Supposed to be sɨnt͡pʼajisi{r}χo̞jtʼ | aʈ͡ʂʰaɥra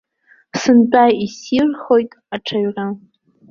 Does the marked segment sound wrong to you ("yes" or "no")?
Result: no